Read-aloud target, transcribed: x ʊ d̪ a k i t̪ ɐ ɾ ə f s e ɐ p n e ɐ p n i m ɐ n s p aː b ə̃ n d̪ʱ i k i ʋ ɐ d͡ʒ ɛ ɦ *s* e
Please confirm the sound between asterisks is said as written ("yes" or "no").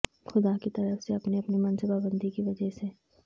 yes